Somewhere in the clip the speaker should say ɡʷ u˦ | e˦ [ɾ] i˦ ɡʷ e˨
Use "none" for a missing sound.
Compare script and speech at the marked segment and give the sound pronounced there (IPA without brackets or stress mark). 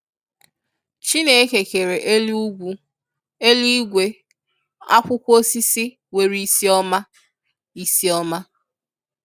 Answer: l